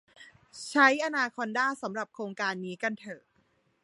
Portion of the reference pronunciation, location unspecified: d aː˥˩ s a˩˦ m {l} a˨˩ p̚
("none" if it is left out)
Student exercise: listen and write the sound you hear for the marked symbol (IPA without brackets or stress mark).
ɾ